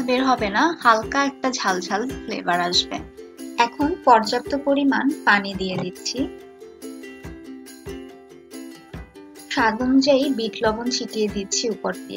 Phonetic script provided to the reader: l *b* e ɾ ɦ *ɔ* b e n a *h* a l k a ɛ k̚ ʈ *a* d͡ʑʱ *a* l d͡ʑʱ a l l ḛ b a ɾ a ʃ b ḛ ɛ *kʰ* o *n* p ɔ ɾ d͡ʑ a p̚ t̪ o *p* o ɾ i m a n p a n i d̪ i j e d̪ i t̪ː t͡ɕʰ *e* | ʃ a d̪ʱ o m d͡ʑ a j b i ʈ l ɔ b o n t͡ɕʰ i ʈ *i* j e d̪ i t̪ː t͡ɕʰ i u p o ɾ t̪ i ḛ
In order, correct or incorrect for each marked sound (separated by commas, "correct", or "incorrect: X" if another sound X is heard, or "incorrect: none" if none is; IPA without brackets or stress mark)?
correct, correct, correct, correct, correct, correct, correct, correct, incorrect: i, correct